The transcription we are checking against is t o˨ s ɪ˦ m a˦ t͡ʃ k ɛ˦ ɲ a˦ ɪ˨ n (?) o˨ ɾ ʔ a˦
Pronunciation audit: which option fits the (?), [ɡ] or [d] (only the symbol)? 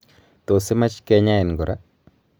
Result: ɡ